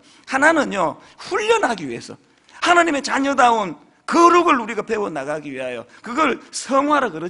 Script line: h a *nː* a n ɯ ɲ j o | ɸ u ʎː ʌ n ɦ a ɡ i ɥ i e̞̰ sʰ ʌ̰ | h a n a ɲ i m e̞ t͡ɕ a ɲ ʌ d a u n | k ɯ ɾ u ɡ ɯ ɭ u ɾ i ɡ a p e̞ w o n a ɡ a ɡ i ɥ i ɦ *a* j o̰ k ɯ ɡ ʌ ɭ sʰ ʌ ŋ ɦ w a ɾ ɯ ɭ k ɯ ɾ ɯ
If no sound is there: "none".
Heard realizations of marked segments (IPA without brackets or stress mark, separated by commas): n, a